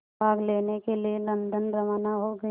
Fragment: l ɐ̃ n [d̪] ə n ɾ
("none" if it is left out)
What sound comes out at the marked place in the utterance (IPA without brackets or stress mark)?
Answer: d̪